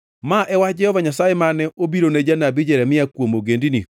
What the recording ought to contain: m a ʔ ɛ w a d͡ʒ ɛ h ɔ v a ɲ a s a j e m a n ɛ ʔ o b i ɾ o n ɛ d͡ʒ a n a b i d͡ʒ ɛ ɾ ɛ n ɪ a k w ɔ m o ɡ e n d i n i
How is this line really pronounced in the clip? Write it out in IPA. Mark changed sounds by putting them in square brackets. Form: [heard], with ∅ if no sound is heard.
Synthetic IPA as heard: m a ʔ ɛ w a d͡ʒ ɛ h ɔ v a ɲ a s a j e m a n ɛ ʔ o b i ɾ o n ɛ d͡ʒ a n a b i d͡ʒ ɛ ɾ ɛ [m] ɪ a k w [o] m o ɡ e n d i n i